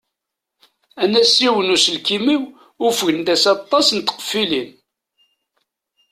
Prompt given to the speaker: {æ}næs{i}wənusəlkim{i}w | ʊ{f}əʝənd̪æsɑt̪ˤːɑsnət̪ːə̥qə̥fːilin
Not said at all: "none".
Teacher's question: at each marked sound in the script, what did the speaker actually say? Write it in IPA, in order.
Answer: æ, i, i, f

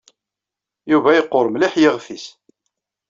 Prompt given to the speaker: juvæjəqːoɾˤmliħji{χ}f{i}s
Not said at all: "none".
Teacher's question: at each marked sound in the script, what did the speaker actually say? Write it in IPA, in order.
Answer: ʁ, i

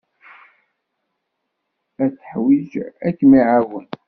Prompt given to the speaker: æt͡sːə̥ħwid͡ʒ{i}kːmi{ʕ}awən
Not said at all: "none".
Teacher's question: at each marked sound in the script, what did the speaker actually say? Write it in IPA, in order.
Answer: æ, ʕ

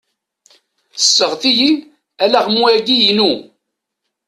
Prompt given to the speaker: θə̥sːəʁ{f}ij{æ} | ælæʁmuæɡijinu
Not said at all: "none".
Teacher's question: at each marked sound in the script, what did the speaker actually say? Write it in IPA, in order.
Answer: θ, i

